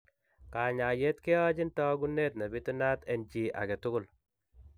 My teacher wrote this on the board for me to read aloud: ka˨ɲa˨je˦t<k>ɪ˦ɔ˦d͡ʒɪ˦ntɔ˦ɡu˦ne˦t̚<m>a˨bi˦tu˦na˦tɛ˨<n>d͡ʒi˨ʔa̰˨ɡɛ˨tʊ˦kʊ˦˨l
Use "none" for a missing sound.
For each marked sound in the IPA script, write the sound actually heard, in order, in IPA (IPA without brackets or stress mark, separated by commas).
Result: k, n, n